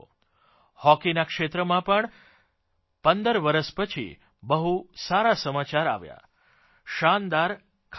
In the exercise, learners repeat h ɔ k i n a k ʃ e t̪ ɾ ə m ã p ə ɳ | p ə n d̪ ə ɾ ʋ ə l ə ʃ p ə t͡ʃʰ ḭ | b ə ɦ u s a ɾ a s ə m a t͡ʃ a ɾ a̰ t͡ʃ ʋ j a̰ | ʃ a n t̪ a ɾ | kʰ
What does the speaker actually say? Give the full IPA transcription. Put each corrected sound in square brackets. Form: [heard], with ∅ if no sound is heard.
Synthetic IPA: h ɔ k i n a k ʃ e t̪ ɾ ə m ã p ə ɳ | p ə n d̪ ə ɾ ʋ ə [ɾ] ə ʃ p ə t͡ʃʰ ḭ | b ə ɦ u s a ɾ a s ə m a t͡ʃ a ɾ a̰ [∅] ʋ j a̰ | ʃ a n [d̪] a ɾ | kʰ

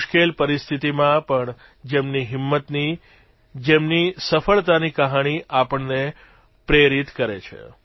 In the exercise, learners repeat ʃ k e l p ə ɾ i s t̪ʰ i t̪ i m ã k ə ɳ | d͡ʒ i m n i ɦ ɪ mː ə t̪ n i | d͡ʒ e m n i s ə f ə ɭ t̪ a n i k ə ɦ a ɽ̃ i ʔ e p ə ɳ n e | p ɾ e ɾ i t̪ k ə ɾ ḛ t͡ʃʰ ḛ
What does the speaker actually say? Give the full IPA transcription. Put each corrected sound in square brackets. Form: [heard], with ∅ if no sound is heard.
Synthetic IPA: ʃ k e l p ə ɾ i s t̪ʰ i t̪ i m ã [p] ə ɳ | d͡ʒ [e] m n i ɦ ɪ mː ə t̪ n i | d͡ʒ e m n i s ə f ə ɭ t̪ a n i k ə ɦ a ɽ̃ i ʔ [a] p ə ɳ n e | p ɾ e ɾ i t̪ k ə ɾ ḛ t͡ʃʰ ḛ

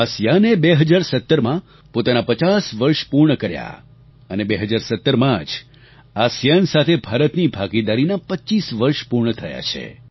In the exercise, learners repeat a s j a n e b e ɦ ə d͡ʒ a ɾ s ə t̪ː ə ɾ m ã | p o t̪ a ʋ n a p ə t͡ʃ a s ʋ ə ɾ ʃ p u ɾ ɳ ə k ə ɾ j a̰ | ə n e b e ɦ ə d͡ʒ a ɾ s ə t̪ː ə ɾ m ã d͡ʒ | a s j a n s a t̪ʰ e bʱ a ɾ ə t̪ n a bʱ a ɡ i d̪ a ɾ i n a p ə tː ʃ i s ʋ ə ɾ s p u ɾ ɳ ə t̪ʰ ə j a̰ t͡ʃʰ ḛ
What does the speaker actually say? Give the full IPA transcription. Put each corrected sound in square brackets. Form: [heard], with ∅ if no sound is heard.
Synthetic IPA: a s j a n e b e ɦ ə d͡ʒ a ɾ s ə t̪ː ə ɾ m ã | p o t̪ a [∅] n a p ə t͡ʃ a s ʋ ə ɾ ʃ p u ɾ ɳ ə k ə ɾ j a̰ | ə n e b e ɦ ə d͡ʒ a ɾ s ə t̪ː ə ɾ m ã d͡ʒ | a s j a n s a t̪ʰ e bʱ a ɾ ə t̪ n [i] bʱ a ɡ i d̪ a ɾ i n a p ə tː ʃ i s ʋ ə ɾ [ʃ] p u ɾ ɳ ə t̪ʰ ə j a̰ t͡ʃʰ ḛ

